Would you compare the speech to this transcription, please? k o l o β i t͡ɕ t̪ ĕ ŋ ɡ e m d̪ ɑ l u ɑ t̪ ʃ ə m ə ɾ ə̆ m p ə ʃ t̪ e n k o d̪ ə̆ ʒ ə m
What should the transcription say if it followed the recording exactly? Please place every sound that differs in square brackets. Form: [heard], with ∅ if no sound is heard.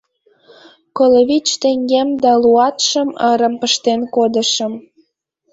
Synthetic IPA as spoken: k o l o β i t͡ɕ t̪ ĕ ŋ ɡ e m d̪ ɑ l u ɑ t̪ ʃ ə m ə ɾ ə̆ m p ə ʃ t̪ e n k o d̪ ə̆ [ʃ] ə m